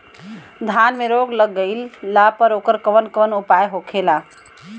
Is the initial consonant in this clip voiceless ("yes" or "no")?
no